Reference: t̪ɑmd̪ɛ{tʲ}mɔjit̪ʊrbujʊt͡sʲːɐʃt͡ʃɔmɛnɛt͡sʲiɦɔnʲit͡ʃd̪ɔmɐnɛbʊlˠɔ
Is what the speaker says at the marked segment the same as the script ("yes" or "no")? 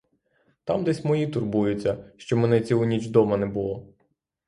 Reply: no